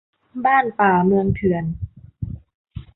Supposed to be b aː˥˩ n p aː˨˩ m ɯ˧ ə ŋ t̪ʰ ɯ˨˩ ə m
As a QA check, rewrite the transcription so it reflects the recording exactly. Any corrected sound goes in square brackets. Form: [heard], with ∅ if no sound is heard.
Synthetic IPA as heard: b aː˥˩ n p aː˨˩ m ɯ˧ ə ŋ t̪ʰ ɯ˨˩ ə [n]